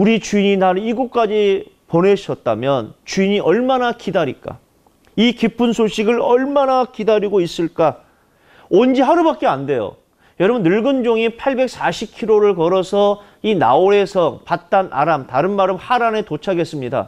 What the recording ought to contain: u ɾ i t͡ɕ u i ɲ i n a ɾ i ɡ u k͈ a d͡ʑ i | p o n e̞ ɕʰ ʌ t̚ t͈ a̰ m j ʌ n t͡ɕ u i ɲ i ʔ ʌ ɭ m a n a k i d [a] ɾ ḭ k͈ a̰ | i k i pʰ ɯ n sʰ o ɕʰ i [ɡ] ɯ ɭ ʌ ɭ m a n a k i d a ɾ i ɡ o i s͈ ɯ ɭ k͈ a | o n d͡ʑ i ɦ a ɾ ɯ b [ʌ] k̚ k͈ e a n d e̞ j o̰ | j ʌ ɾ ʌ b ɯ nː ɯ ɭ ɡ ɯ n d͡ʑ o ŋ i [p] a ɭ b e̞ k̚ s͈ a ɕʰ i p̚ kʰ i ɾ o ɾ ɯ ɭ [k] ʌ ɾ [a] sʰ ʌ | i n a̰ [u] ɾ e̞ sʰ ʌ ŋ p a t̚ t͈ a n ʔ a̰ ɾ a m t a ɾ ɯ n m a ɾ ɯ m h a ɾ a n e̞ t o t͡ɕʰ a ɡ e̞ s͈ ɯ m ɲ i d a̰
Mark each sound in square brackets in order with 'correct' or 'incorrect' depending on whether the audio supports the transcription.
correct, correct, incorrect, incorrect, correct, incorrect, incorrect

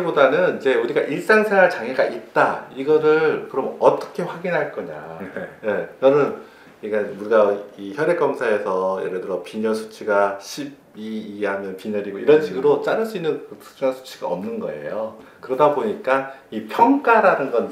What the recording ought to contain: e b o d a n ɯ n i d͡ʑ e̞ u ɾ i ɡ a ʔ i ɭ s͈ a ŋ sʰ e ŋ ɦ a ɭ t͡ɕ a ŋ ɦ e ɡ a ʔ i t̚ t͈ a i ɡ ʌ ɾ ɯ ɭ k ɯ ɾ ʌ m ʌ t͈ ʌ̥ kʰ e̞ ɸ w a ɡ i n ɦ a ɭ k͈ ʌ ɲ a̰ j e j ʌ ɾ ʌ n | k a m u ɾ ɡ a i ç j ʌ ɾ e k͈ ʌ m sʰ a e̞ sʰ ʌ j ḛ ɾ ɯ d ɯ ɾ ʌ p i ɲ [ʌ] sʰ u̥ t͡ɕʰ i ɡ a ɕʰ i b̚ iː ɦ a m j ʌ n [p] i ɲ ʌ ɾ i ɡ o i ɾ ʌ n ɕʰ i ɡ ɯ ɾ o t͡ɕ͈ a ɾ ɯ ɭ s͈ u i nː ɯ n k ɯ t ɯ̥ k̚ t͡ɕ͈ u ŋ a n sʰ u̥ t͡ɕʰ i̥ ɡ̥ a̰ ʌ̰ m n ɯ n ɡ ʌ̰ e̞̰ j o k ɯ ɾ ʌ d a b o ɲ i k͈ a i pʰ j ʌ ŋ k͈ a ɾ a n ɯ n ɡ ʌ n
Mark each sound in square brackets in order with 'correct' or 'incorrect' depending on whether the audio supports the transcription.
correct, correct

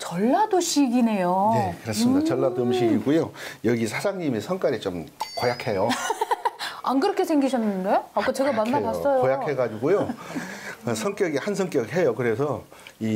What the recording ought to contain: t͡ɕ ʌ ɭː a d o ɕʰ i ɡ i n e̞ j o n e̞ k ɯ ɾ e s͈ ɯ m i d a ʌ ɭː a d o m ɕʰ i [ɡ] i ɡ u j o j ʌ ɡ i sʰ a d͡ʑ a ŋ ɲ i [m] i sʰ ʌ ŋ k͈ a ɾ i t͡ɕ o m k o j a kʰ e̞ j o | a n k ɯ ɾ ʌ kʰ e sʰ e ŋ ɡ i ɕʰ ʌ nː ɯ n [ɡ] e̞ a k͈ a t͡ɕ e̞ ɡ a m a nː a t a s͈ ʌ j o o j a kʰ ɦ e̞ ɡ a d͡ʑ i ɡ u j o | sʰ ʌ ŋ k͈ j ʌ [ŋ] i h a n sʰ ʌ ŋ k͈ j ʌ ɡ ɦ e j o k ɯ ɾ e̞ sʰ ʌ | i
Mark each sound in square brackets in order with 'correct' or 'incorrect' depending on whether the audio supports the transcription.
correct, correct, incorrect, incorrect

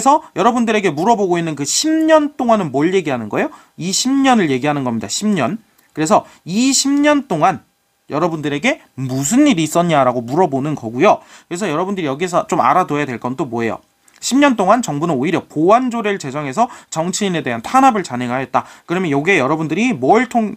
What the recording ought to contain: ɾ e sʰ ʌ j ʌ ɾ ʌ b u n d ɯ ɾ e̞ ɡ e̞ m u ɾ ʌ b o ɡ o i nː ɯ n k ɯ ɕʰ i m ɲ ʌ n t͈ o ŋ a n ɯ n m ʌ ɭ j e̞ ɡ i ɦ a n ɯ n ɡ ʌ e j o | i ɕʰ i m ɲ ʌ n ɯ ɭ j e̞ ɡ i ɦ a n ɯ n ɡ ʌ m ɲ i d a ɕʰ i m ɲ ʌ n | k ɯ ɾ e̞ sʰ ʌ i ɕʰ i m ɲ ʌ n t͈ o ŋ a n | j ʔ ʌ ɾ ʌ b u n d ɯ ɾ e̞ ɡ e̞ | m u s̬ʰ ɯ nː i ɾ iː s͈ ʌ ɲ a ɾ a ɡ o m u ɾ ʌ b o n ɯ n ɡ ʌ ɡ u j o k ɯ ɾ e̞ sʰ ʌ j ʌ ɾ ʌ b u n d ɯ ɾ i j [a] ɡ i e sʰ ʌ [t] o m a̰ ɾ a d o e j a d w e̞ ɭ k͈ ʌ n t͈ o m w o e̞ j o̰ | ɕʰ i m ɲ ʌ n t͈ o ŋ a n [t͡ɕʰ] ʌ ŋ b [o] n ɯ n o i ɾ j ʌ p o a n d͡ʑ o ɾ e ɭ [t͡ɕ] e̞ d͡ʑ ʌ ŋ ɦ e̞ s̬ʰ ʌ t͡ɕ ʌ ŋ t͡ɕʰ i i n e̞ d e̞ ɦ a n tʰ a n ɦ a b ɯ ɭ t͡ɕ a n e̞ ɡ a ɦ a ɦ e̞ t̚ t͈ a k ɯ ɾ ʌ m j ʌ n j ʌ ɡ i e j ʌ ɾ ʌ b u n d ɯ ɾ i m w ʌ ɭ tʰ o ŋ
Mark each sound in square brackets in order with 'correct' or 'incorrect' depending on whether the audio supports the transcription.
incorrect, incorrect, incorrect, incorrect, correct

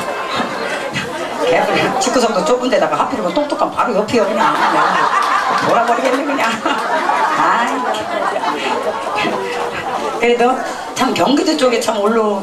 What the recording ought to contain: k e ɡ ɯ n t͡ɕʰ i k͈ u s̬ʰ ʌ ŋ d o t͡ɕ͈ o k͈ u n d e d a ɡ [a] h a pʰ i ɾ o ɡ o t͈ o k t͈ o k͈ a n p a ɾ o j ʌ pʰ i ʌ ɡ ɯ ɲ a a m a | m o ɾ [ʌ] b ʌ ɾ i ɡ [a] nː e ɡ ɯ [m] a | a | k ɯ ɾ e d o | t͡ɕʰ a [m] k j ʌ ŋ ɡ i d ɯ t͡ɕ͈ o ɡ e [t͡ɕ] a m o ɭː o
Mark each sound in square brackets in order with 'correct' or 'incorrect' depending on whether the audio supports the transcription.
correct, incorrect, incorrect, incorrect, correct, incorrect

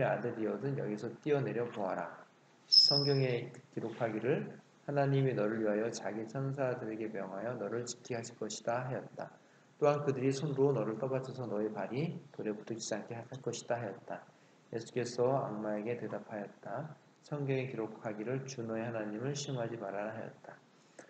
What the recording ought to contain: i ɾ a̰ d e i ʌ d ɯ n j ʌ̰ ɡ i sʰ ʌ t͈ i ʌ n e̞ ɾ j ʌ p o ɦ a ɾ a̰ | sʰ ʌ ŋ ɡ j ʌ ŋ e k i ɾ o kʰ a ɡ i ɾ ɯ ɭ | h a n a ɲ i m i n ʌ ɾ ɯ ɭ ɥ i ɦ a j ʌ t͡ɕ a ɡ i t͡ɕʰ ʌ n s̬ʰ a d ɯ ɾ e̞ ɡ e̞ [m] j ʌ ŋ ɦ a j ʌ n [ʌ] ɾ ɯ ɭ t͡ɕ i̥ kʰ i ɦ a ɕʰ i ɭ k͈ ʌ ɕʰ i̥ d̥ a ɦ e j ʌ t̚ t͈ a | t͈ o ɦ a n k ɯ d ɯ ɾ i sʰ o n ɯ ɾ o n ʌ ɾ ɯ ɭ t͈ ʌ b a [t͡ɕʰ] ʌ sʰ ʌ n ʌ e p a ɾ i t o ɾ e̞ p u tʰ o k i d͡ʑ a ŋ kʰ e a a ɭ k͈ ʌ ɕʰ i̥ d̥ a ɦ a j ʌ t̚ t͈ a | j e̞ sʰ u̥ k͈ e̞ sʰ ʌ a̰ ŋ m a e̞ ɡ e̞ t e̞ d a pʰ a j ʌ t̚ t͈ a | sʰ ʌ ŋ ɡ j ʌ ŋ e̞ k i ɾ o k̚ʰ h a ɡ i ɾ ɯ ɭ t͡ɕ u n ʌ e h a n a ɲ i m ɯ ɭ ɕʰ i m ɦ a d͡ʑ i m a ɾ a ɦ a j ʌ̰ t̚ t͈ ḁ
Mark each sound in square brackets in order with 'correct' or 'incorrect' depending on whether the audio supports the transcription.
correct, correct, correct

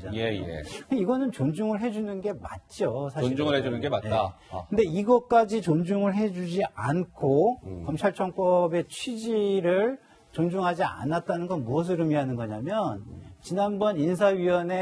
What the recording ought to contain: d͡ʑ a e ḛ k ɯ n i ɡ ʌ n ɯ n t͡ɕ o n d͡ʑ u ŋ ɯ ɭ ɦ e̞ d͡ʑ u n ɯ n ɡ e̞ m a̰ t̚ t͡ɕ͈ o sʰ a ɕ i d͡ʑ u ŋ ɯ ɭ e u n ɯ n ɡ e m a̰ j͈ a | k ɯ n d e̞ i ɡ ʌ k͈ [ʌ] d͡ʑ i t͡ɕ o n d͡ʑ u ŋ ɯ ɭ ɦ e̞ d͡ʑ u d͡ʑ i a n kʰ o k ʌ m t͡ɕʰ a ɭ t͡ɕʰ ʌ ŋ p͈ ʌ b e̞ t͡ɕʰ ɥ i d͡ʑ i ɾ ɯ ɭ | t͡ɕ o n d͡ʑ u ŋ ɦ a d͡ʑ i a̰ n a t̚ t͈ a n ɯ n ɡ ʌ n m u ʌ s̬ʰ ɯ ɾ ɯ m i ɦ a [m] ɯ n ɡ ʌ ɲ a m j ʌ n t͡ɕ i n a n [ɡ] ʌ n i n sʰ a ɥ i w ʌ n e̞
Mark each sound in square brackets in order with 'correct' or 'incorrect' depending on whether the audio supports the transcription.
incorrect, incorrect, incorrect

